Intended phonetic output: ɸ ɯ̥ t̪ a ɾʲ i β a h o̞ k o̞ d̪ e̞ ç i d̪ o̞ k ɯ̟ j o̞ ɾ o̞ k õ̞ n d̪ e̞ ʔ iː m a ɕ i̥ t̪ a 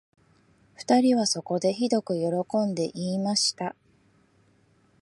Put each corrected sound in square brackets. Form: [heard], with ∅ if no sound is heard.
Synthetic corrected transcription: ɸ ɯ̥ t̪ a ɾʲ i β a [s] o̞ k o̞ d̪ e̞ ç i d̪ o̞ k ɯ̟ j o̞ ɾ o̞ k õ̞ n d̪ e̞ ʔ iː m a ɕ i̥ t̪ a